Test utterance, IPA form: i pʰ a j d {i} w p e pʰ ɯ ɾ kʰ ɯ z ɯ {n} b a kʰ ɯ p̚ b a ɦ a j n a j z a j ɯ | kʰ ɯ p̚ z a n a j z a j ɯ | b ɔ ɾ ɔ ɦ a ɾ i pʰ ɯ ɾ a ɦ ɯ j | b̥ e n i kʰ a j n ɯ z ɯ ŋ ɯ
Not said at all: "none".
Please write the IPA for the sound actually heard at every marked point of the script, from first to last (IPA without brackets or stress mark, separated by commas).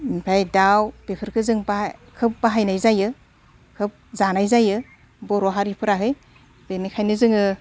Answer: a, ŋ